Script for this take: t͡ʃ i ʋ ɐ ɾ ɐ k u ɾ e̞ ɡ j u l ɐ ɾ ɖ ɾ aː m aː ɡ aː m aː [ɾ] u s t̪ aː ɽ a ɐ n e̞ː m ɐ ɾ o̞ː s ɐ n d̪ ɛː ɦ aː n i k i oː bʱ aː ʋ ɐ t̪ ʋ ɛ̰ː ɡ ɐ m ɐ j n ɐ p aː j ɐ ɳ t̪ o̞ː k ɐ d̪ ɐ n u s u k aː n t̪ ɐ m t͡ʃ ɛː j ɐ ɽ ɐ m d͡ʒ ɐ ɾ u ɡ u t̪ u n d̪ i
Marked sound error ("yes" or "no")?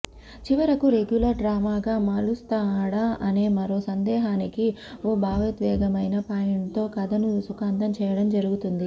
yes